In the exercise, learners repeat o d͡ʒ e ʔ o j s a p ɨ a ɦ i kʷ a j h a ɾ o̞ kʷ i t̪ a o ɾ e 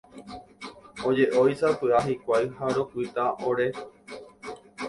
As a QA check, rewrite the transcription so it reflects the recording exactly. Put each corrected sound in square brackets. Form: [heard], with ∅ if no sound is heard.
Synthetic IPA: o d͡ʒ e ʔ o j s a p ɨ a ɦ i kʷ a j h a ɾ o̞ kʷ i t̪ a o ɾ e